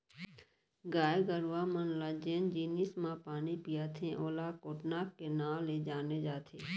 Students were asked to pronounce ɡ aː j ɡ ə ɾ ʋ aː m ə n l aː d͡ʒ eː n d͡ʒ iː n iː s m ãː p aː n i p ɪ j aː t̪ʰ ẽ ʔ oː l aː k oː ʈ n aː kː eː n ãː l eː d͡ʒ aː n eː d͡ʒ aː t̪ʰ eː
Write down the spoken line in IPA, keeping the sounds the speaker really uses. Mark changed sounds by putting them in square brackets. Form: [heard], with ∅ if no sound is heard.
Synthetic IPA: ɡ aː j ɡ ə ɾ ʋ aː m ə n l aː d͡ʒ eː n d͡ʒ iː n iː s m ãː p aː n i p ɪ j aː t̪ʰ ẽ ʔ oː l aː k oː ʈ n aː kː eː n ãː l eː d͡ʒ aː n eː d͡ʒ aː t̪ʰ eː